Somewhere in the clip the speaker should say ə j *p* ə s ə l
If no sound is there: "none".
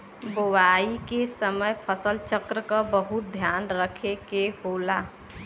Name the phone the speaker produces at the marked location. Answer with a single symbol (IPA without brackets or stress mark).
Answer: pʰ